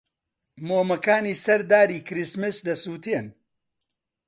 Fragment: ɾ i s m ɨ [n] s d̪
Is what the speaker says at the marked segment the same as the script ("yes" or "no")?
no